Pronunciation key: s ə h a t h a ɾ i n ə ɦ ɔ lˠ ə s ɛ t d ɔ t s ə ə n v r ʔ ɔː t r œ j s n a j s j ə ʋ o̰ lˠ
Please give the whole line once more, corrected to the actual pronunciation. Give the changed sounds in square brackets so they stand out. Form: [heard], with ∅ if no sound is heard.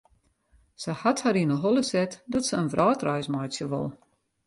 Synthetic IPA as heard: s ə h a t h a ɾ i n ə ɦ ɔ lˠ ə s ɛ t d ɔ t s ə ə n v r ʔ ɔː t r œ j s [m] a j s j ə ʋ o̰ lˠ